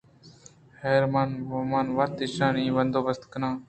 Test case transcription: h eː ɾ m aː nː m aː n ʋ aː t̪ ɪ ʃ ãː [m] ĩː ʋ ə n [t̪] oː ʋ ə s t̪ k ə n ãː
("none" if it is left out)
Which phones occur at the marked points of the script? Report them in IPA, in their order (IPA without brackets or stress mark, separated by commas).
n, d̪